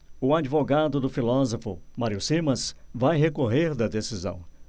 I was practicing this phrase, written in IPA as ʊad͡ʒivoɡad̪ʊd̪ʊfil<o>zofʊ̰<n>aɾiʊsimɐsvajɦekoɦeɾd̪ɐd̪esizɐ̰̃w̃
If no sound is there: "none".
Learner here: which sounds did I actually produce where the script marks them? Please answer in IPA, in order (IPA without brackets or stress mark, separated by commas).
ɔ, m